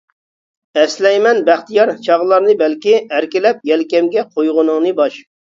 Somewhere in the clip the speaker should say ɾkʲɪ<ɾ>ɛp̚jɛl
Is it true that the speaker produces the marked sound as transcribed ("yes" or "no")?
no